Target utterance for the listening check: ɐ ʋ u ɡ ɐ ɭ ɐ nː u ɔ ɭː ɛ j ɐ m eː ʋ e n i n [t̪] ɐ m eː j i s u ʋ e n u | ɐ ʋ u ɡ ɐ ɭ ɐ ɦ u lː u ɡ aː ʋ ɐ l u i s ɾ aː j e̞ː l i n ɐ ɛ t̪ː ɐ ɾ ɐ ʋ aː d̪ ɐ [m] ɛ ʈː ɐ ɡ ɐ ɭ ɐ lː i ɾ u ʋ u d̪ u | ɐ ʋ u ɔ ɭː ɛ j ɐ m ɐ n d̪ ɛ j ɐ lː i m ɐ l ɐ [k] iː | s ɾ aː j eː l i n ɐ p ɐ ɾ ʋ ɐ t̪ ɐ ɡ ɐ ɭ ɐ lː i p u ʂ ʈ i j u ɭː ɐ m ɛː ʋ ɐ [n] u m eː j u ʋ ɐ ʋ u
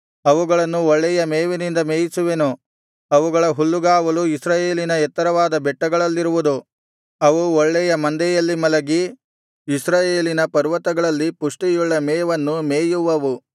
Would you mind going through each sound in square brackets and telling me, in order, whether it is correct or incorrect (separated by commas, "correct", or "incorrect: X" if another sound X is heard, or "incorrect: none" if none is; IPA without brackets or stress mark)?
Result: incorrect: d̪, incorrect: b, incorrect: ɡ, incorrect: nː